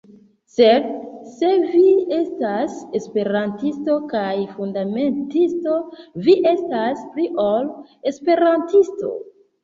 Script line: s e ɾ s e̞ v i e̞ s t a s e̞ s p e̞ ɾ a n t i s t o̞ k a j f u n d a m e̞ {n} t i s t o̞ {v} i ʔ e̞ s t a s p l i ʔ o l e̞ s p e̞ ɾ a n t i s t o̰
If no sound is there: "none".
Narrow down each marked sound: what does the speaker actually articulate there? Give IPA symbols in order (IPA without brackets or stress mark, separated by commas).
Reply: n, v